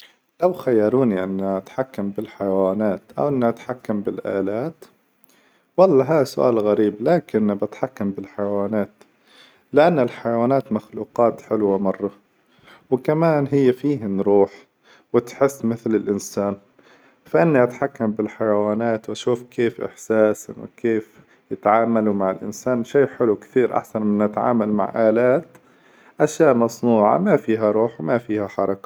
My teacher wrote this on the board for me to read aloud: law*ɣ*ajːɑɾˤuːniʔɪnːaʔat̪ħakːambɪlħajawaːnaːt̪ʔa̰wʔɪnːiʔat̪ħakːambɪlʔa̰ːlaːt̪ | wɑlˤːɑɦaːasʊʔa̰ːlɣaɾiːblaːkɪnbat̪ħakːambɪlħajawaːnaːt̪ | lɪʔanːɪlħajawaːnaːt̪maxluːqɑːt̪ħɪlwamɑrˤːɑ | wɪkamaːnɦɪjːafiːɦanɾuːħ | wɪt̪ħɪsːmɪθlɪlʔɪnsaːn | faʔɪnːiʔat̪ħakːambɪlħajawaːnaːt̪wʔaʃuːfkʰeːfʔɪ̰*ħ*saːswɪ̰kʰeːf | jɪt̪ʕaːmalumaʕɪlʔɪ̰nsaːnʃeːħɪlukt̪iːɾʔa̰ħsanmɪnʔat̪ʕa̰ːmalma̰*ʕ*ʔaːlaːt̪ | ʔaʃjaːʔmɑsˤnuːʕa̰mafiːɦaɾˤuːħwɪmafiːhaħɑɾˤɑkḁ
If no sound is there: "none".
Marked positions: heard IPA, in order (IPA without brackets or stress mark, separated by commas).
x, ħ, ʕ